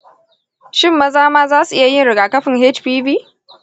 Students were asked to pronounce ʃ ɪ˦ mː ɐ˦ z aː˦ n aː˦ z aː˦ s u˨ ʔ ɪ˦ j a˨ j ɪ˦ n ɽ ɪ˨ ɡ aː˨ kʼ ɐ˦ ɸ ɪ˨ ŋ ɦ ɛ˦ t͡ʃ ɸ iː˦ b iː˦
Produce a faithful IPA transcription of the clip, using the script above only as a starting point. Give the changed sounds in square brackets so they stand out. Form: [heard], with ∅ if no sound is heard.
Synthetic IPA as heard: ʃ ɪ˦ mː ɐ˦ z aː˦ [m] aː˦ z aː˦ s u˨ ʔ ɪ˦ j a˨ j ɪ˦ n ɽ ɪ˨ ɡ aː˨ [k] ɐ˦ ɸ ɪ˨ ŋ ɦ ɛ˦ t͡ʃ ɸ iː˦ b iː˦